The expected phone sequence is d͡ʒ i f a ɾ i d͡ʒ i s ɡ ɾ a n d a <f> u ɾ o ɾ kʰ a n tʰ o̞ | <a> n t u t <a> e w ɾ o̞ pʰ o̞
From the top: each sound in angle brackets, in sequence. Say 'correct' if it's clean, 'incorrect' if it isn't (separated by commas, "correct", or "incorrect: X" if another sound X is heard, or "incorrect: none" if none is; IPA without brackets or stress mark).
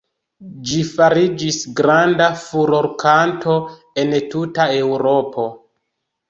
correct, incorrect: e, correct